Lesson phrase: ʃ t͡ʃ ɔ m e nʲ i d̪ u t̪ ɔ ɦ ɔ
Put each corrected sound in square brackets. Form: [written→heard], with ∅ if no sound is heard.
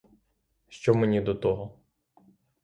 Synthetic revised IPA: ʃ t͡ʃ ɔ m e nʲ i d̪ [u→ɔ] t̪ ɔ ɦ ɔ